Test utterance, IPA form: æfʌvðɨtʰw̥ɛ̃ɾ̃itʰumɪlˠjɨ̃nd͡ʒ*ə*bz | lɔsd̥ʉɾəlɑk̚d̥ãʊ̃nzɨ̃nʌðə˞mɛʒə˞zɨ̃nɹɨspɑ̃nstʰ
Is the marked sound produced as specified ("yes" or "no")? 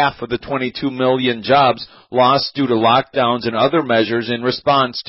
no